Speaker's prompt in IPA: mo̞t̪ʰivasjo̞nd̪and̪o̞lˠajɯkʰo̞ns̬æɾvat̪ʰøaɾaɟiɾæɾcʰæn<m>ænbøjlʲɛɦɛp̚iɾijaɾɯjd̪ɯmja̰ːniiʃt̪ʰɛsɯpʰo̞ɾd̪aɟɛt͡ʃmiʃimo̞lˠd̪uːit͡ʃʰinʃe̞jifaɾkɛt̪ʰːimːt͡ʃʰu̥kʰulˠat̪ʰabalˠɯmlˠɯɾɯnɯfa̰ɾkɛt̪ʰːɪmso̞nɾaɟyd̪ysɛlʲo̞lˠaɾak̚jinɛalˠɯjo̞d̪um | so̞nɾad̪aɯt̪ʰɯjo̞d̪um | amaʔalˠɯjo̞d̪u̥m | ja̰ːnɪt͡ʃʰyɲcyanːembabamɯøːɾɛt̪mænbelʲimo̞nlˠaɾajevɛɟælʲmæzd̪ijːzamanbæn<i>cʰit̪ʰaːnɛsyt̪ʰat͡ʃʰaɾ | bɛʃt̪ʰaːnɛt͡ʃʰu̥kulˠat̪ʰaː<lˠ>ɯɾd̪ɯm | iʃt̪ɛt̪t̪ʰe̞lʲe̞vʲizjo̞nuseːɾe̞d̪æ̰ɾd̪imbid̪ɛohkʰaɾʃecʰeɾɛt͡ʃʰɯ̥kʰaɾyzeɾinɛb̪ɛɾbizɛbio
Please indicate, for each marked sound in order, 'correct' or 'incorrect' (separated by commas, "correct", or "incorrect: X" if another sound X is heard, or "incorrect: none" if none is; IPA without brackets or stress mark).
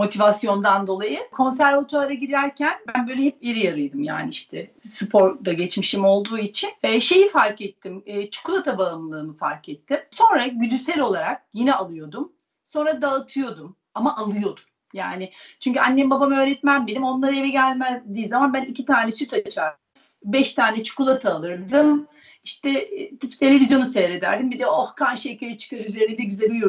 incorrect: b, correct, correct